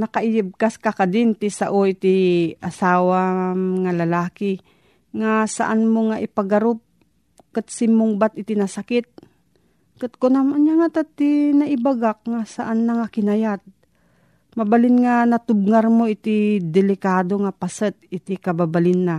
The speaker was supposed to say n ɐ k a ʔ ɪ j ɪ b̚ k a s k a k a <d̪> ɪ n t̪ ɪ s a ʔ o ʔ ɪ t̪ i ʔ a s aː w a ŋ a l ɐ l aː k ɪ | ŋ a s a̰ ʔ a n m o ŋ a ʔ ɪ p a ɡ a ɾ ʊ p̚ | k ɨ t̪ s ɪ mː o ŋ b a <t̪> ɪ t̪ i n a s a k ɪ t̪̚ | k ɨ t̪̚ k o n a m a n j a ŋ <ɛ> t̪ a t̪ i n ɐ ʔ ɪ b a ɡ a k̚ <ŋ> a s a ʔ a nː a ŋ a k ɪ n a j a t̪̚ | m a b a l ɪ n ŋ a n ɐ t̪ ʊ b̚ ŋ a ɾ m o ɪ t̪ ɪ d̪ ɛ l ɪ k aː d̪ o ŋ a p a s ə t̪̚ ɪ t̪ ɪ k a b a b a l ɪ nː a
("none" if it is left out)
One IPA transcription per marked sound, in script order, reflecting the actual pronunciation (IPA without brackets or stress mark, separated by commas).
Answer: d̪, t̪, a, ŋ